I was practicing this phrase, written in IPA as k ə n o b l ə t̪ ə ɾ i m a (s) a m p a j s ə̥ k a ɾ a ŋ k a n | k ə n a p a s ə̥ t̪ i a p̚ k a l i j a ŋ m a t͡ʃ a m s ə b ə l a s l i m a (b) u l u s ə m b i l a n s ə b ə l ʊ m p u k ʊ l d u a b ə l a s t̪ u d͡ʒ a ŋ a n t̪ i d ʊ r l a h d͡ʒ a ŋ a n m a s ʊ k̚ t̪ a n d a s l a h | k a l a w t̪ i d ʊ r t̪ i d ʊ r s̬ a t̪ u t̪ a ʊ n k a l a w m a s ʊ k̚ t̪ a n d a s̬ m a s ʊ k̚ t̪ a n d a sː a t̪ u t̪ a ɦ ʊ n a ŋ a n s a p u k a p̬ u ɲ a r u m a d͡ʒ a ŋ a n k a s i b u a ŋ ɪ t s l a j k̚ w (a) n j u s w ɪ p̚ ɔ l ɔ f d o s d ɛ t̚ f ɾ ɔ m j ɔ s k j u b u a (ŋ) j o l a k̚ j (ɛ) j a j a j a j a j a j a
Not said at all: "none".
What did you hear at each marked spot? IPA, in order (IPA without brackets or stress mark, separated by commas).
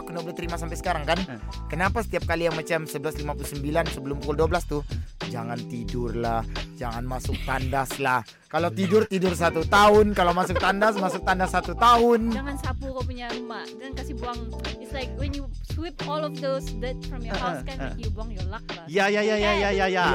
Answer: s, p, ɛ, ŋ, a